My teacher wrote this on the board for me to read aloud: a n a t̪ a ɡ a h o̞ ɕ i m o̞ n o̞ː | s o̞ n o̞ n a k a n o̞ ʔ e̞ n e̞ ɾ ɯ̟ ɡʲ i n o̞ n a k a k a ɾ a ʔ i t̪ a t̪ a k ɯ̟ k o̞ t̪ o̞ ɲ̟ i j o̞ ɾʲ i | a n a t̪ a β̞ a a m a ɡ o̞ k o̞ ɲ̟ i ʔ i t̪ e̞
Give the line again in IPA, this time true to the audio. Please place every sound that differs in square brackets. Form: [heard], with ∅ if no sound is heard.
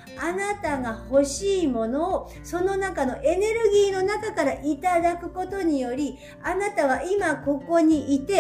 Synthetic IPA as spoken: a n a t̪ a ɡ a h o̞ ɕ [iː] m o̞ n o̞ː | s o̞ n o̞ n a k a n o̞ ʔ e̞ n e̞ ɾ ɯ̟ ɡʲ [iː] n o̞ n a k a k a ɾ a ʔ i t̪ a [d̪] a k ɯ̟ k o̞ t̪ o̞ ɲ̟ i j o̞ ɾʲ i | a n a t̪ a β̞ a [i] m a [k] o̞ k o̞ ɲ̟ i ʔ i t̪ e̞